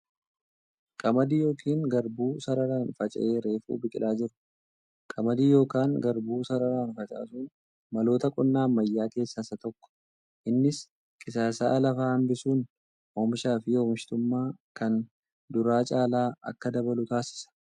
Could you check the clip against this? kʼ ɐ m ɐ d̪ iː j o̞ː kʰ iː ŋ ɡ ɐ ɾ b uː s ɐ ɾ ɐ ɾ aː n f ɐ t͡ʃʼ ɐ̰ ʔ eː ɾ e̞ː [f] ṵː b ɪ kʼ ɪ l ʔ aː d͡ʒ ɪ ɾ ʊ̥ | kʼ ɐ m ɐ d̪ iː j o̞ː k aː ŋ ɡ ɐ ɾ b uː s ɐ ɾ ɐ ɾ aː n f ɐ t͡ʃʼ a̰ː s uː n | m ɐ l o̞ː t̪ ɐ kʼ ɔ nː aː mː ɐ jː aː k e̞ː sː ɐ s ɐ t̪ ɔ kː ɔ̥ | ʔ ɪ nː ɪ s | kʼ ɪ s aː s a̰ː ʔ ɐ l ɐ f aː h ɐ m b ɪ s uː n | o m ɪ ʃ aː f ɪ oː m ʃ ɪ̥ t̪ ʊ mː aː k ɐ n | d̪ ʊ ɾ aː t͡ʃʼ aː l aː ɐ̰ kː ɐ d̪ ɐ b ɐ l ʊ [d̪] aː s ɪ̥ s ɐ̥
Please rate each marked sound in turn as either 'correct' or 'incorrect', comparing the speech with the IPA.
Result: correct, incorrect

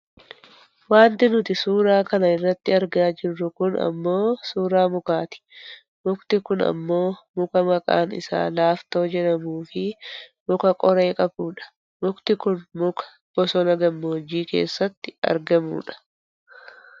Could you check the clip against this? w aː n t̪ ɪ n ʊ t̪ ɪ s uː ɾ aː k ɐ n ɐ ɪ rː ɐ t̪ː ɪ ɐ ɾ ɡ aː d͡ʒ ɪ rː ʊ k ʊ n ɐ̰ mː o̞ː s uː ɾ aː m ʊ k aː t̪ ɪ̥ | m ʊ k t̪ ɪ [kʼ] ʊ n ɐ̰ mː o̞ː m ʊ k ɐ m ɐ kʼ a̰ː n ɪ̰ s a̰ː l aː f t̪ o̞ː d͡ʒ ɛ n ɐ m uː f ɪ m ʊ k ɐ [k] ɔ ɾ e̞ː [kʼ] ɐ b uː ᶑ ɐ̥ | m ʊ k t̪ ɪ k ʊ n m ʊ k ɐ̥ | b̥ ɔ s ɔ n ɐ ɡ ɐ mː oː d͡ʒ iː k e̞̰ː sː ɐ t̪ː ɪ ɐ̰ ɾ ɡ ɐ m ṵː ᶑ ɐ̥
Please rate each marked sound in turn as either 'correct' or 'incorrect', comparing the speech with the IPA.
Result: incorrect, incorrect, correct

